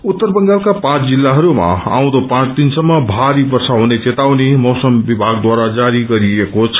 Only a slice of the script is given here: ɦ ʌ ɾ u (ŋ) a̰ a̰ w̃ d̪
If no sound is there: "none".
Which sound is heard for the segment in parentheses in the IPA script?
m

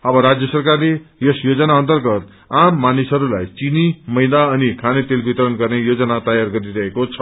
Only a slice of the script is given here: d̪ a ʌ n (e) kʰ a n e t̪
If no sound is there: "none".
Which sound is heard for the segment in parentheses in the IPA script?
i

